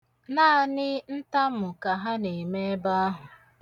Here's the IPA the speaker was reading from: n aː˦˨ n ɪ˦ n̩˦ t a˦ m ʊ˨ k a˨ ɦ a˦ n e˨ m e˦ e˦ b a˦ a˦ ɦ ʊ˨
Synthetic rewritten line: n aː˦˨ n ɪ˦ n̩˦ t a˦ m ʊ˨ k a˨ ɦ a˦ n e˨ m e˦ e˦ b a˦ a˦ ɦ ʊ˨